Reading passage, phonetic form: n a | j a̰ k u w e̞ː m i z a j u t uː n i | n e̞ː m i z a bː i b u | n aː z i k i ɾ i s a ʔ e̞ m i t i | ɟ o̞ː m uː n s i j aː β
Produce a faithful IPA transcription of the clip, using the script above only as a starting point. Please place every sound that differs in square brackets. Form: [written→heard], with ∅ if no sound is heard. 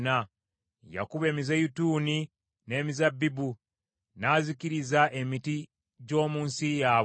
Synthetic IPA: n a | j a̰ k u [w→β] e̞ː m i z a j u t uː n i | n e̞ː m i z a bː i b u | n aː z i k i ɾ i [s→z] a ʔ e̞ m i t i | ɟ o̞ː m uː n s i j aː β